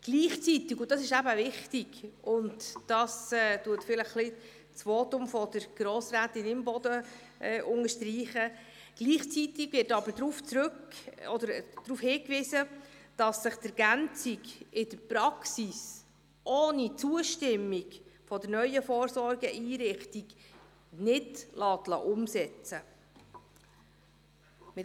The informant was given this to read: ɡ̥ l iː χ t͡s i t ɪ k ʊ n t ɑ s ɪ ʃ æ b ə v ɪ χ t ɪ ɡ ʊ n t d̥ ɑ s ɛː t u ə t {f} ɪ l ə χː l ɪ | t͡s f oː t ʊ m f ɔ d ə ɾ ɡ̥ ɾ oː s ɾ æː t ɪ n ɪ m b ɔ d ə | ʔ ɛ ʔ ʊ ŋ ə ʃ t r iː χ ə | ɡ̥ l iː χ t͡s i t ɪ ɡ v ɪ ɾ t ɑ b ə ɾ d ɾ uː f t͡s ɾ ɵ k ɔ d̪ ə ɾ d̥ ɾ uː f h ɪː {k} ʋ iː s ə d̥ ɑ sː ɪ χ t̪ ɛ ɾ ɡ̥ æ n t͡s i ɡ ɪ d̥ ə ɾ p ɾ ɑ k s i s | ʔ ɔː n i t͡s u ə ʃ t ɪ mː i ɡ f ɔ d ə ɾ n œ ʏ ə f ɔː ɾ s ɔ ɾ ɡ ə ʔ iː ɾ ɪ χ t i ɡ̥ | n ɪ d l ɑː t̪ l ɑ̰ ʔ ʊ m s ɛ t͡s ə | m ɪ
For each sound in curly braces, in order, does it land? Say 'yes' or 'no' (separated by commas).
yes, yes